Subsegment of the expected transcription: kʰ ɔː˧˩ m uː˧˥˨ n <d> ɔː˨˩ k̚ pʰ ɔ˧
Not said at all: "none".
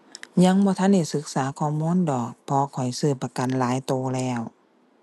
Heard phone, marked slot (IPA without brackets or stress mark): d